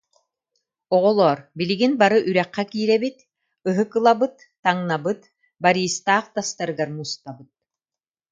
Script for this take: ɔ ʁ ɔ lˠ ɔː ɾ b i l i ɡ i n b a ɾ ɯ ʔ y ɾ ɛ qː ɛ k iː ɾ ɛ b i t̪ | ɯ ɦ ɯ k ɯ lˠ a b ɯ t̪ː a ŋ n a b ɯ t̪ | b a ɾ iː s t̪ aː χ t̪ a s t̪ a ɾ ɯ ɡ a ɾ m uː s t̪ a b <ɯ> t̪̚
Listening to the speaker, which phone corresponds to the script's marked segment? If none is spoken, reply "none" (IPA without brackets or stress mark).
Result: ɯ